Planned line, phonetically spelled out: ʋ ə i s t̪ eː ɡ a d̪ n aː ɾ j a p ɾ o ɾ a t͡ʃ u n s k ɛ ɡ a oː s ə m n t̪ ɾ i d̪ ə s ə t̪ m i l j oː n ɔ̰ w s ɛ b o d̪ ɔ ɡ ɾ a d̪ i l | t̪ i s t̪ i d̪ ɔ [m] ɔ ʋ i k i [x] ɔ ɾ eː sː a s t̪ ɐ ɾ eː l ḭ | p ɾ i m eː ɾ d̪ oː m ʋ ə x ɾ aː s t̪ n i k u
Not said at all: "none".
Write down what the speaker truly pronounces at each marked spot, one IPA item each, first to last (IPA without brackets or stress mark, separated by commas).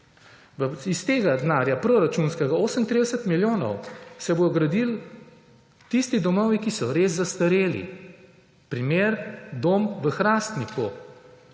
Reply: m, s